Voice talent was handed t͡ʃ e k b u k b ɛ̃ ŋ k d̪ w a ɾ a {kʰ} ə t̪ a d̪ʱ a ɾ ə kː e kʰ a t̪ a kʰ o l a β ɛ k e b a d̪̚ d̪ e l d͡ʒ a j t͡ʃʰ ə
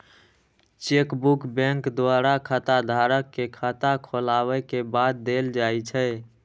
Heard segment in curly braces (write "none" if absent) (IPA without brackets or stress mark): kʰ